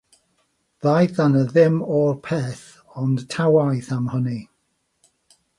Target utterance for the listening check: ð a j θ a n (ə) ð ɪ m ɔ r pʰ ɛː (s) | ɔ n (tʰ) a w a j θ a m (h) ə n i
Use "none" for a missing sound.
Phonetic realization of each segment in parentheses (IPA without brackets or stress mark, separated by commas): ə, θ, tʰ, h